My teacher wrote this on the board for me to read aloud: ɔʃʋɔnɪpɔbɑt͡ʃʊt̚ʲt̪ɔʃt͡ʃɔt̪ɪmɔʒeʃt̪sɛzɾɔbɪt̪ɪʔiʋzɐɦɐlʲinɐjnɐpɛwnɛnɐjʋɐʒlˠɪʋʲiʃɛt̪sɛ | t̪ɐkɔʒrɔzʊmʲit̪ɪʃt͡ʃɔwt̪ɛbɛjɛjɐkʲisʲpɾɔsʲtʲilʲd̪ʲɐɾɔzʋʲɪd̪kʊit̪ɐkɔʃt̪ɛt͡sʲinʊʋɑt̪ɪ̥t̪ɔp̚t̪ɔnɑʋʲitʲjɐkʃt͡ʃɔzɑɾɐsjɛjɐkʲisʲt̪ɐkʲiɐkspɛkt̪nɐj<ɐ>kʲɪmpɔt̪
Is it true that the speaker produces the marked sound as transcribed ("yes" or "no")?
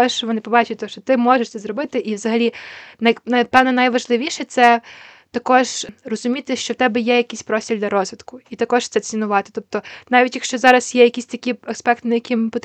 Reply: yes